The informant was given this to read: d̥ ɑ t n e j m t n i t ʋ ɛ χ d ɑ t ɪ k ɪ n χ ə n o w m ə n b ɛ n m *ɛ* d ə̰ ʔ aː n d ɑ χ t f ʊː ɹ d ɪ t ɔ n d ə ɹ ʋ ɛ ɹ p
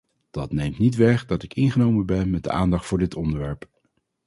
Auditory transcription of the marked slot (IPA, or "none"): ɛ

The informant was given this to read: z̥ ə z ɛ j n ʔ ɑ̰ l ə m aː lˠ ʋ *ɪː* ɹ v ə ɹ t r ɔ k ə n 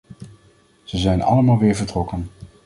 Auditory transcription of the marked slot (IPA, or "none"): ɪː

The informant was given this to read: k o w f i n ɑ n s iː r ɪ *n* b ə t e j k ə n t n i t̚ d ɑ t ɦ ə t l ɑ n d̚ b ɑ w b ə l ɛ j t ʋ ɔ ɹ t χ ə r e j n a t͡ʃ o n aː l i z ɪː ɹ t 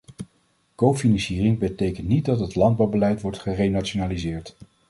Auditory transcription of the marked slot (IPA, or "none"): ŋ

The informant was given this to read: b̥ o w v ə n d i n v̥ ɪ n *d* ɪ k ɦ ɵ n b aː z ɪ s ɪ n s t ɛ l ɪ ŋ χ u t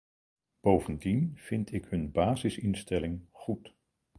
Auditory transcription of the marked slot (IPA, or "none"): t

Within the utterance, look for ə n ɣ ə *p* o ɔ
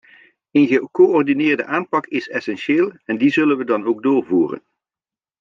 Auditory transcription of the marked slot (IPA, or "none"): k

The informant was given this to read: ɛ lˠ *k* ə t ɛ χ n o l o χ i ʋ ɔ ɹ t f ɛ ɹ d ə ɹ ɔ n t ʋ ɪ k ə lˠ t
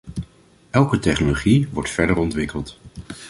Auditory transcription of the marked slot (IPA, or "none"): k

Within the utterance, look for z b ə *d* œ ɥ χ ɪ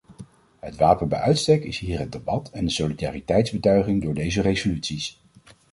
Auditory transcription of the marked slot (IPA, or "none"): t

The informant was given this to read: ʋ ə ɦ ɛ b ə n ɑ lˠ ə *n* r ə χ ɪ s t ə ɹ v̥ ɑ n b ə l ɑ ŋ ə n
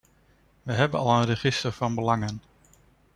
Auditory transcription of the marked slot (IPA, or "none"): n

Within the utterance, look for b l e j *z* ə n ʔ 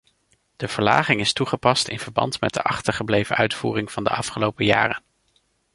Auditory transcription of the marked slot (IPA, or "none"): v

